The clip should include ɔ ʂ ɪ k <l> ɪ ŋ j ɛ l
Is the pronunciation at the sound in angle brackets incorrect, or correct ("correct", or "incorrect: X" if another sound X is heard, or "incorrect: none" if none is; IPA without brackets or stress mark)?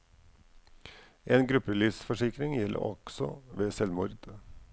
incorrect: ɾ